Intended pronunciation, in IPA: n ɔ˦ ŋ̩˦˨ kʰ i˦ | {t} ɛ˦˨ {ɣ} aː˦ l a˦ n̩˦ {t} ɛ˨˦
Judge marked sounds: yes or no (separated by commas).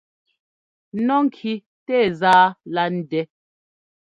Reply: yes, no, no